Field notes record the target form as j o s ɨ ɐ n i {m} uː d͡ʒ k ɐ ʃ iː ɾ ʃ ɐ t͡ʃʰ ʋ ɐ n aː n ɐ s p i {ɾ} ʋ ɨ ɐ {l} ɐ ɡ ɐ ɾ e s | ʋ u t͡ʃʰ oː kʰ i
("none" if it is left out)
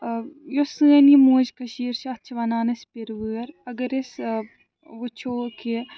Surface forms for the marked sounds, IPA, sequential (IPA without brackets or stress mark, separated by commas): m, ɾ, ɾ